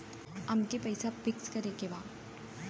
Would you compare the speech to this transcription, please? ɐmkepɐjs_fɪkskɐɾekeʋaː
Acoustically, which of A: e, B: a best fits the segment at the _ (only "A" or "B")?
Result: B